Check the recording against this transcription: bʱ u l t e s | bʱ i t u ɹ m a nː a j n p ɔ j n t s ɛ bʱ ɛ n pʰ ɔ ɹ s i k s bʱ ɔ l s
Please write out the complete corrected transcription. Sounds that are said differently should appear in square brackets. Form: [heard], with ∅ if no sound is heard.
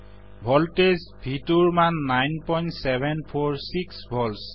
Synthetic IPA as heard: bʱ [ɔ] l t e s | bʱ i t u ɹ m a nː a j n p ɔ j n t s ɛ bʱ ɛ n pʰ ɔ ɹ s i k s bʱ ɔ l s